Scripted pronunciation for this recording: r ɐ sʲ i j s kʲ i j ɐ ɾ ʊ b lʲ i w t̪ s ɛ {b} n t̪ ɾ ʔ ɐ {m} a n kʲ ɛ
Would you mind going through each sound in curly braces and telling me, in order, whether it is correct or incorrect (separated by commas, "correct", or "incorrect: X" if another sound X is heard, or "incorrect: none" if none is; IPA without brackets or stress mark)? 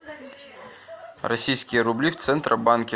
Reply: incorrect: none, incorrect: b